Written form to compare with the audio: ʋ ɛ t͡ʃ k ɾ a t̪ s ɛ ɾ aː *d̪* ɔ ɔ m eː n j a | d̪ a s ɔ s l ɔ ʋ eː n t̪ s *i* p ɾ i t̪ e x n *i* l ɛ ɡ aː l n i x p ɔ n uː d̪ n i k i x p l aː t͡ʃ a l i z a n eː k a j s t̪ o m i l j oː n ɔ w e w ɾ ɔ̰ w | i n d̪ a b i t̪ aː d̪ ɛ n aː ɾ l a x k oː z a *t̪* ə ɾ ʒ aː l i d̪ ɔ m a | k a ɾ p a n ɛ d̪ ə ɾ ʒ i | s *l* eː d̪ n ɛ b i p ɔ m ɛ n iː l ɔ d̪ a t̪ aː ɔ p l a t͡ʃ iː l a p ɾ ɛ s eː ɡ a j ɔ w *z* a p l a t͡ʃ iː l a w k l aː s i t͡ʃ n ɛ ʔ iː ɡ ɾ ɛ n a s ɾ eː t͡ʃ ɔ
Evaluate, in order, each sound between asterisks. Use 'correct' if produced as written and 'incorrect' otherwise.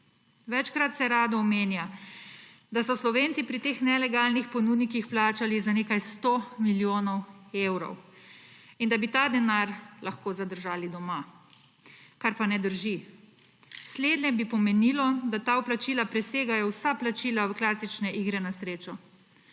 correct, correct, incorrect, incorrect, correct, incorrect

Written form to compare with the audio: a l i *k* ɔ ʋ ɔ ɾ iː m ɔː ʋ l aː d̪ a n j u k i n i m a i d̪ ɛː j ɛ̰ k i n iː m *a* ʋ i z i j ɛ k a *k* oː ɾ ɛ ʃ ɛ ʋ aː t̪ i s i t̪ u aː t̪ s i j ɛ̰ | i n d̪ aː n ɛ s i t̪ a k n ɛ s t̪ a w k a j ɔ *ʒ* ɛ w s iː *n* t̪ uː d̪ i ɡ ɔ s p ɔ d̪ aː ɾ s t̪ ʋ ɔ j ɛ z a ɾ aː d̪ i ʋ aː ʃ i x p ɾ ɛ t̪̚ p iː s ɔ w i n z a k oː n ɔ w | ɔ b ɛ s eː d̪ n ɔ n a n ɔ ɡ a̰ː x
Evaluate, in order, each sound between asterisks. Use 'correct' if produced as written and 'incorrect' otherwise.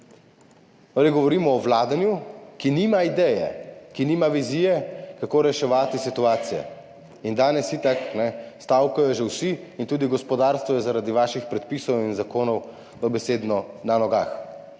incorrect, correct, correct, correct, correct

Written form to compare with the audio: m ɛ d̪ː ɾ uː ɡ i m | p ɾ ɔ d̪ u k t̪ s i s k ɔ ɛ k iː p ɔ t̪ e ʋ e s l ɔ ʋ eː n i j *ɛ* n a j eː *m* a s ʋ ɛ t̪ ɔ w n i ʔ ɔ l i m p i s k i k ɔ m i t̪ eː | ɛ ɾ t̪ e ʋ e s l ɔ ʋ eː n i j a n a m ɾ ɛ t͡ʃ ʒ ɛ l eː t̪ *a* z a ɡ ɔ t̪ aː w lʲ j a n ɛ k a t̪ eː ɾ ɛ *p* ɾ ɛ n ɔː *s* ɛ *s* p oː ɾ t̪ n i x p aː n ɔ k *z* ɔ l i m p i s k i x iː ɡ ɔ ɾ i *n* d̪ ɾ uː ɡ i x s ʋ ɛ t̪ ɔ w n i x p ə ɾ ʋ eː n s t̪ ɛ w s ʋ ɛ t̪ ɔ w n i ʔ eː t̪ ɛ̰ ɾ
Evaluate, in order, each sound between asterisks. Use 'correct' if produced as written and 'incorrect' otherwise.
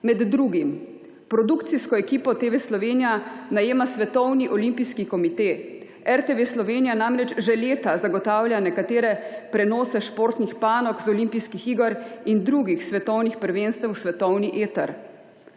incorrect, correct, correct, correct, correct, incorrect, correct, correct

